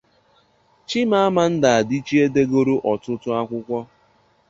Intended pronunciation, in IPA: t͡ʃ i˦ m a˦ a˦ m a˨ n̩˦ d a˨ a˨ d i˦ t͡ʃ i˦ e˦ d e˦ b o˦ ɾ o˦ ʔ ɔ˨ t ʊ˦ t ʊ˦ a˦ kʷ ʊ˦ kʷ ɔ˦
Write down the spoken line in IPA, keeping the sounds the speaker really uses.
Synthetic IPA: t͡ʃ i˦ m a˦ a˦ m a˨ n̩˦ d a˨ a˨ d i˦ t͡ʃ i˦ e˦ d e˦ ɡ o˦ ɾ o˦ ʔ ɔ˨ t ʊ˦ t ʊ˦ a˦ kʷ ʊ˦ kʷ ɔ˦